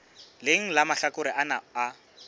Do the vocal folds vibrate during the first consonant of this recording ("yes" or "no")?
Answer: yes